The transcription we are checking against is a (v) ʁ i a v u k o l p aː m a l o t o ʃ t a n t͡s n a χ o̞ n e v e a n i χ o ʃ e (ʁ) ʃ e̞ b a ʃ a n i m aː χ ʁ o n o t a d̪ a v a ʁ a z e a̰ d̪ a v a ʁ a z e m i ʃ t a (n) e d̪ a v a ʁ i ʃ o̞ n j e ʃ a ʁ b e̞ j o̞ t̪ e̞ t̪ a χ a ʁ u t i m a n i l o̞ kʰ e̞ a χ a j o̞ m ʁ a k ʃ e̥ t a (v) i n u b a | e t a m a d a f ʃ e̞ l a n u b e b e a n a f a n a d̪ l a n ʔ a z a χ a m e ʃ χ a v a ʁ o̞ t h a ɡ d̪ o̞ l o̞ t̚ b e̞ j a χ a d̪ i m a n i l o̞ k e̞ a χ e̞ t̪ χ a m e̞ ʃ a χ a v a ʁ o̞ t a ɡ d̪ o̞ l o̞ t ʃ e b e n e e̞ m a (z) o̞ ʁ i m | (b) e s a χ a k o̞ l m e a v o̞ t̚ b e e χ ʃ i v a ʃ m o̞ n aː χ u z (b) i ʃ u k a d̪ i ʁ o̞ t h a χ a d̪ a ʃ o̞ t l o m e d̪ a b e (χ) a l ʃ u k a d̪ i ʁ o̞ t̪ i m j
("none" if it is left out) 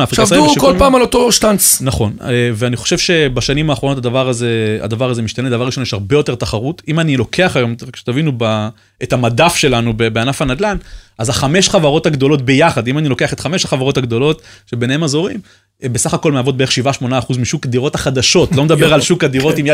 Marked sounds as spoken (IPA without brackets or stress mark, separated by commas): f, v, n, v, z, b, m, ʁ